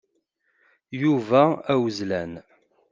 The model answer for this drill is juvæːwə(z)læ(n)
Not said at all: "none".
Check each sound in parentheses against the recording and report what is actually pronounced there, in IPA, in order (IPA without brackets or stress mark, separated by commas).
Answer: z, n